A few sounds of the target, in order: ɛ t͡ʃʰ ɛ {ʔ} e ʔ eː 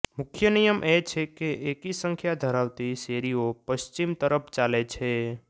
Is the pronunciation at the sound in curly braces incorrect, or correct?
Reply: incorrect